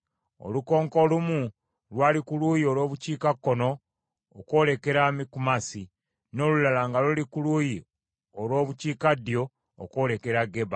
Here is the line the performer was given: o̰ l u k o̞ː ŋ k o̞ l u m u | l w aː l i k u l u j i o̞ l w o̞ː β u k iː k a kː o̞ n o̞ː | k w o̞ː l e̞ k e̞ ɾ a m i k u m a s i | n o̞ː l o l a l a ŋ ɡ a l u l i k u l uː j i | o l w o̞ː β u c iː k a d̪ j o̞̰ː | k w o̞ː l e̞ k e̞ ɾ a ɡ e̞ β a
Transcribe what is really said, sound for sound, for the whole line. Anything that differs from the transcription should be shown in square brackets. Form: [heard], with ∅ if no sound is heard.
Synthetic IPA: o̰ l u k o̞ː ŋ k o̞ l u m u | l w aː l i k u l u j i o̞ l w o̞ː β u [c] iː k a kː o̞ n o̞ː | k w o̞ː l e̞ k e̞ ɾ a m i k u m a s i | n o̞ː l [u] l a l a ŋ ɡ a l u l i k u l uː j i | o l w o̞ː β u c iː k a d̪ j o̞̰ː | k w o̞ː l e̞ k e̞ ɾ a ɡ e̞ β a